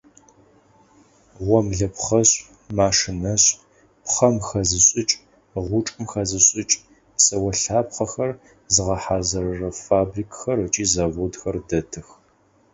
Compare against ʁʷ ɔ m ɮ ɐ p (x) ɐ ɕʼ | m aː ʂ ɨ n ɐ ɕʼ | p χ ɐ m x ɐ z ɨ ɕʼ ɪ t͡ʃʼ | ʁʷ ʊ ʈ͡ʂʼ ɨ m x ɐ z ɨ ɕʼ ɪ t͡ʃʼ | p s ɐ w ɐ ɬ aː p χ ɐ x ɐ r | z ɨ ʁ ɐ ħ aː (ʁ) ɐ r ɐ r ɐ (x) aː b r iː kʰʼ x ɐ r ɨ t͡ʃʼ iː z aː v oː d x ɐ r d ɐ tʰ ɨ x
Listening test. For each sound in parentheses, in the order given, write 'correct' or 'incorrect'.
incorrect: χ, incorrect: z, incorrect: f

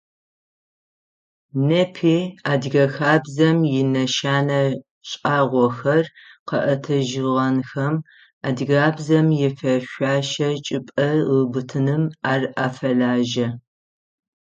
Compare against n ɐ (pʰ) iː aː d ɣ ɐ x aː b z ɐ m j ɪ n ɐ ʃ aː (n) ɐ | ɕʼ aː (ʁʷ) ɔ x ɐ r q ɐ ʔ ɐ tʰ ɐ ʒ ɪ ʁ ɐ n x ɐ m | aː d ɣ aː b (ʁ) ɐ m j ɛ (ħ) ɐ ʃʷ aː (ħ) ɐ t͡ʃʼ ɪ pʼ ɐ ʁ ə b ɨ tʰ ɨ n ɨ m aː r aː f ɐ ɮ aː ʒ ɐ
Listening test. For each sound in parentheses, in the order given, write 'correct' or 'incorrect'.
correct, correct, correct, incorrect: z, incorrect: f, incorrect: ʃ

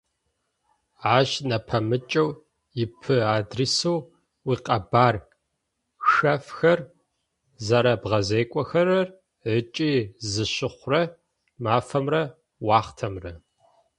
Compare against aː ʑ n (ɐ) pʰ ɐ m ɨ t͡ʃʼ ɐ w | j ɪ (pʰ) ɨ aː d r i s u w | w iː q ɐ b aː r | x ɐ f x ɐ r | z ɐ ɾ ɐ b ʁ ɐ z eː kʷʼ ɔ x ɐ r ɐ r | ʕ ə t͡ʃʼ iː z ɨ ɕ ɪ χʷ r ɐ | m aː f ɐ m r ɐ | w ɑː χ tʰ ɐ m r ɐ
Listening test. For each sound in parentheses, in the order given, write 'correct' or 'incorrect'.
correct, correct

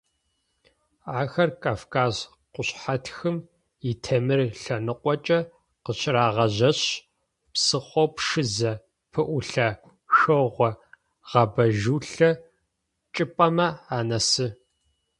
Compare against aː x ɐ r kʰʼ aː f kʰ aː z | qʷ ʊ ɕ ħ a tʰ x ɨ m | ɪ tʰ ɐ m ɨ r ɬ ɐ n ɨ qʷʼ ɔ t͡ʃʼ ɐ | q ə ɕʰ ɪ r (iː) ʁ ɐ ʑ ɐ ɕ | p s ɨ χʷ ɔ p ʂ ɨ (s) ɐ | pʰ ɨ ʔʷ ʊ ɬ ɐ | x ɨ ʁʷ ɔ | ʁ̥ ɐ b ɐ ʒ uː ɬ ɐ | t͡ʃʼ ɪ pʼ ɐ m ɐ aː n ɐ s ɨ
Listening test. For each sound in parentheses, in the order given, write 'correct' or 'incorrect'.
incorrect: aː, incorrect: z

